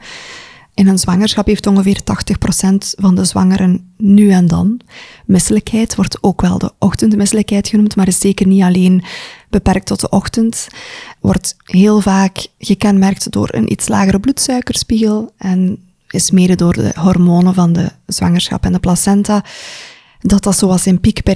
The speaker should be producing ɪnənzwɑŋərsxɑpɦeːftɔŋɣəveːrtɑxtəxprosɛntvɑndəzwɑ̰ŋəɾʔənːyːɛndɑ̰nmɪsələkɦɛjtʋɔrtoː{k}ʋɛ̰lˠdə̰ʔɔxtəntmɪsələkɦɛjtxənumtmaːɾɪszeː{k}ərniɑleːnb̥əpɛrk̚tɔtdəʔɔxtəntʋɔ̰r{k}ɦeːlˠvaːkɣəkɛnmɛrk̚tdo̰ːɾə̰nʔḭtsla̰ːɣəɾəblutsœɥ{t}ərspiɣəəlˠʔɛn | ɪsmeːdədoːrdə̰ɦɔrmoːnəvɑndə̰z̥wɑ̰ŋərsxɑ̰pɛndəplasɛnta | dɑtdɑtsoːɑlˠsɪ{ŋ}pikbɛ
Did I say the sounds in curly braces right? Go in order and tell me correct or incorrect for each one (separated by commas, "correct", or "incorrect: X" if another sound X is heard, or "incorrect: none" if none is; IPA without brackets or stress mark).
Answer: correct, correct, incorrect: t, incorrect: k, incorrect: n